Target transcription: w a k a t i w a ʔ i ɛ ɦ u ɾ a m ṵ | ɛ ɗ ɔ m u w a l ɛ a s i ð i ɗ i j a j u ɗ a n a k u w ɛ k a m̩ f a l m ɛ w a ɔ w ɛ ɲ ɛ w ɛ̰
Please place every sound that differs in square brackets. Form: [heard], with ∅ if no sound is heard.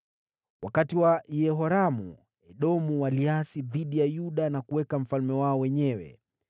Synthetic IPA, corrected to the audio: w a k a t i w a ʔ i ɛ ɦ [ɔ] ɾ a m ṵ | ɛ ɗ ɔ m u w a l [i] a s i ð i ɗ i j a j u ɗ a n a k u w ɛ k a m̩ f a l m ɛ w a ɔ w ɛ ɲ ɛ w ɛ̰